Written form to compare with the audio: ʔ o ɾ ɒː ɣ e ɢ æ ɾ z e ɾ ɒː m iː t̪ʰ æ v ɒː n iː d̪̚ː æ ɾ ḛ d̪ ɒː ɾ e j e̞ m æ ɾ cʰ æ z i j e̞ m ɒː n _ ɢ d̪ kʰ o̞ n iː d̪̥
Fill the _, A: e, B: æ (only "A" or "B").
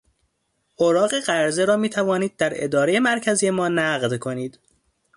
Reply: B